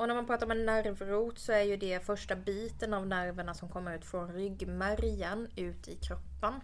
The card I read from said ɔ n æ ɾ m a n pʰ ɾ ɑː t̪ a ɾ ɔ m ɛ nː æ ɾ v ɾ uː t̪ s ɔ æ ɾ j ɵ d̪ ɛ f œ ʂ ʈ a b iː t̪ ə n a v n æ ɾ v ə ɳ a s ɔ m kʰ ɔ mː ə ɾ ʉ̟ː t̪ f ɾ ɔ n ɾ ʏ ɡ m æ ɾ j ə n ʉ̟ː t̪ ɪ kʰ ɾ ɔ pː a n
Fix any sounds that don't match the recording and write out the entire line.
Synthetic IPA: ɔ n æ ɾ m a n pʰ ɾ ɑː t̪ a ɾ ɔ m ɛ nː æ ɾ v ɾ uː t̪ s ɔ æ ɾ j ɵ d̪ ɛ f œ ʂ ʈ a b iː t̪ ə n a v n æ ɾ v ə ɳ a s ɔ m kʰ ɔ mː ə ɾ ʉ̟ː t̪ f ɾ ɔ n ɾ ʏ ɡ m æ ɾ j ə n ʉ̟ː t̪ ɪ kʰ ɾ ɔ pː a n